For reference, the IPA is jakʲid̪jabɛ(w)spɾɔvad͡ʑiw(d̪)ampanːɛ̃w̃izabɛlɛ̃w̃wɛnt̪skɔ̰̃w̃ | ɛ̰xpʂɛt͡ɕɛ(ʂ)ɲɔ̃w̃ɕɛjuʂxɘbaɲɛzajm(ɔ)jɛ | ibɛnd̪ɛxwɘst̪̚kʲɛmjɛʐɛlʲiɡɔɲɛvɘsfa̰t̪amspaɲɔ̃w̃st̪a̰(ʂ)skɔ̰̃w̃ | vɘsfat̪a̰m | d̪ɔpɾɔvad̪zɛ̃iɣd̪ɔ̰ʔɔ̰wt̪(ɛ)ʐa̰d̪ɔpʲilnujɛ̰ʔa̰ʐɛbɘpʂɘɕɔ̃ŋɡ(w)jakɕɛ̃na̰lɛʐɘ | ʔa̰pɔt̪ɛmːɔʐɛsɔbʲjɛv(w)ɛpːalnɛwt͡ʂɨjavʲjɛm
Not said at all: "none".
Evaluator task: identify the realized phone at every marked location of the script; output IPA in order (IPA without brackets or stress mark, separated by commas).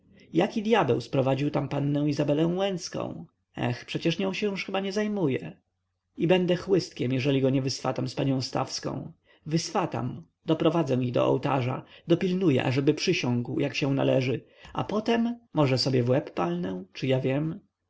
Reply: w, t̪, ʂ, u, f, a, w, w